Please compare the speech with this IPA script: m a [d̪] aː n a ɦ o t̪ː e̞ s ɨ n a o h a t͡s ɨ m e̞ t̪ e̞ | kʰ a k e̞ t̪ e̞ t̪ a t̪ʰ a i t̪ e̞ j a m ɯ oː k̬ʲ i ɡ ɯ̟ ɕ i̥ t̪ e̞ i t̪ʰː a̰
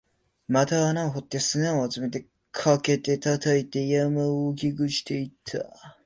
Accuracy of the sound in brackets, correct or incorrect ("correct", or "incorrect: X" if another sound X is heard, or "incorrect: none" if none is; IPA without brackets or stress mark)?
incorrect: t̪